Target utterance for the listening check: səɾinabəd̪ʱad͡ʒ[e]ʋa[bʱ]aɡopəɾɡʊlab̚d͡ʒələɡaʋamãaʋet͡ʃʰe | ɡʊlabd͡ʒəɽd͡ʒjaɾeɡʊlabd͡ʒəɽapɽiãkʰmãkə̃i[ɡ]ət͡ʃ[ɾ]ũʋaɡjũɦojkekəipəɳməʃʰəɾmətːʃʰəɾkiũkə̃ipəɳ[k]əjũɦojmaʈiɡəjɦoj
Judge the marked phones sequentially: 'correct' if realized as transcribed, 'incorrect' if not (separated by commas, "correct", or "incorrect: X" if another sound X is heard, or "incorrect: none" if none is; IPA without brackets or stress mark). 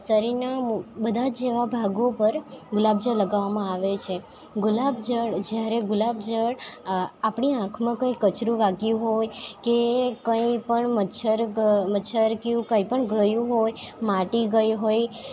correct, correct, incorrect: k, correct, incorrect: ɡ